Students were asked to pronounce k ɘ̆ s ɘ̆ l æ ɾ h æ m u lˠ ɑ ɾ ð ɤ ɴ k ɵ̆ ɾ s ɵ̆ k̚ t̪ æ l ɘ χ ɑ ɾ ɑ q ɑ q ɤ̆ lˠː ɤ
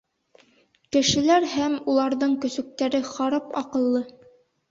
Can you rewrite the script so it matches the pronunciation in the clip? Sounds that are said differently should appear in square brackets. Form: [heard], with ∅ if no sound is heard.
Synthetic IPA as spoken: k ɘ̆ [ʃ] ɘ̆ l æ ɾ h æ m u lˠ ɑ ɾ ð ɤ ɴ k ɵ̆ [∅] s ɵ̆ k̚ t̪ æ [ɾ] ɘ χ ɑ ɾ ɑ [p] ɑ q ɤ̆ lˠː ɤ

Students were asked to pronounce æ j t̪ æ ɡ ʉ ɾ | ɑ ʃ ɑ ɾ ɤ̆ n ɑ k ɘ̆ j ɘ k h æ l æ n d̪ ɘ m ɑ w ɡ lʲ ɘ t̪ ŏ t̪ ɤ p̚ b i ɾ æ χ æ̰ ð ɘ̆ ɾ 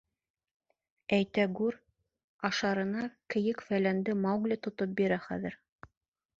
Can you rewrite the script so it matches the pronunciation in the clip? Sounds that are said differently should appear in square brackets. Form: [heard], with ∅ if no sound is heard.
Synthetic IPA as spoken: æ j t̪ æ ɡ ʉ ɾ | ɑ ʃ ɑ ɾ ɤ̆ n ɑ k ɘ̆ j ɘ k [f] æ l æ n d̪ ɘ m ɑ w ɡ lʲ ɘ t̪ ŏ t̪ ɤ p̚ b i ɾ æ χ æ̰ ð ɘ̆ ɾ

